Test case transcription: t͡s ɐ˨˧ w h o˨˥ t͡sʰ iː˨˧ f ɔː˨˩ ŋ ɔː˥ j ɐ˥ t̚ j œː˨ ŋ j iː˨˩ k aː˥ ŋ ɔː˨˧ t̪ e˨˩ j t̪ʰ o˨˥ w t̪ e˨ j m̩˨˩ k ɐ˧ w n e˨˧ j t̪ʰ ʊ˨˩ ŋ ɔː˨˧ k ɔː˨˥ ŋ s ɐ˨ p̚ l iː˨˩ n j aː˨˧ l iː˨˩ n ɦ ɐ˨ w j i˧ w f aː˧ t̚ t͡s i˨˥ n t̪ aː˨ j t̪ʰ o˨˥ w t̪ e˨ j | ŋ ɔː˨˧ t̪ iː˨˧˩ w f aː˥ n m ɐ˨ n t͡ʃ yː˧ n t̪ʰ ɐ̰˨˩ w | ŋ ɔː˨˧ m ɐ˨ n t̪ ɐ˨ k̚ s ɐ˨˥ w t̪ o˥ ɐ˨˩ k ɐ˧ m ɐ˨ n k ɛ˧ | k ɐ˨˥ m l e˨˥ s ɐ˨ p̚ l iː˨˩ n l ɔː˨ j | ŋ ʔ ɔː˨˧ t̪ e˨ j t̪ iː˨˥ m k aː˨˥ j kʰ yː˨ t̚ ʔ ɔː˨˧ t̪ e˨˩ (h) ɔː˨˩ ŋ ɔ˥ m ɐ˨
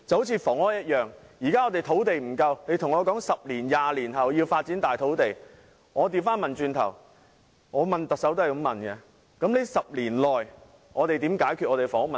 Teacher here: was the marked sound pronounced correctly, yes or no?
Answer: no